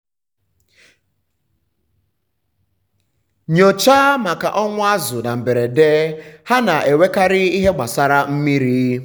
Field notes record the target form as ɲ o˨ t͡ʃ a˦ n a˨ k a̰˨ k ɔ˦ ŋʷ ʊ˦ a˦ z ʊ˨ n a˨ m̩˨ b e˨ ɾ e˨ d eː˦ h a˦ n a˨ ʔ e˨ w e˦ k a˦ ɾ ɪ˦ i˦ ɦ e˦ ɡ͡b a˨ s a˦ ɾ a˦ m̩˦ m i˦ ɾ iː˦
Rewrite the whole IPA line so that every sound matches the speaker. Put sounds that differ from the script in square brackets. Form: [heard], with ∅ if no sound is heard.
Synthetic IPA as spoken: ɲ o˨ t͡ʃ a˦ [m] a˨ k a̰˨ [ʔ] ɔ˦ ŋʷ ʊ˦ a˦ z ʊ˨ n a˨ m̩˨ b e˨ ɾ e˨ d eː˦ h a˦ n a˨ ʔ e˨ w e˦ k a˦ ɾ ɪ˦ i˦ ɦ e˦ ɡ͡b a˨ s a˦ ɾ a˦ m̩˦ m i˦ ɾ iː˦